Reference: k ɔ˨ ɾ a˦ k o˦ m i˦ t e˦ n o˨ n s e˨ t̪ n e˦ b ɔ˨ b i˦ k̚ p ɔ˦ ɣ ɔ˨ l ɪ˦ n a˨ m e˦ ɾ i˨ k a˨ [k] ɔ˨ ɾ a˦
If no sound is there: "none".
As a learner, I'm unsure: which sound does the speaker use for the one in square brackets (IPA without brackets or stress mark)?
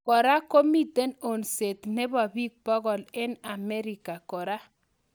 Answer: k